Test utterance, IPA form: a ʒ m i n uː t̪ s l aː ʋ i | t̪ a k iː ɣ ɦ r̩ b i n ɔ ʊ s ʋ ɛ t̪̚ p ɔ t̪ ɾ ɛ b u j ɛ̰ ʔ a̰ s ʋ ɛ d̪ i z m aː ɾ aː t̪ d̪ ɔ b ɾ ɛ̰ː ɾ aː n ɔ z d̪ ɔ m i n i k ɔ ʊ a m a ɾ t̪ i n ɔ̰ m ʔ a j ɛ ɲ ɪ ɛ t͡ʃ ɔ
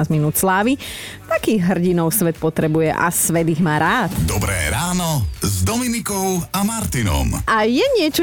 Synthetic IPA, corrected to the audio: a z m i n uː t̪ s l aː ʋ i | t̪ a k iː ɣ ɦ r̩ ɟ i n ɔ ʊ s ʋ ɛ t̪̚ p ɔ t̪ ɾ ɛ b u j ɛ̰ ʔ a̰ s ʋ ɛ d̪ i ɣ m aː ɾ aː t̪ d̪ ɔ b ɾ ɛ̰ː ɾ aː n ɔ z d̪ ɔ m i n i k ɔ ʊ a m a ɾ t̪ i n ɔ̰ m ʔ a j ɛ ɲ ɪ ɛ t͡ʃ ɔ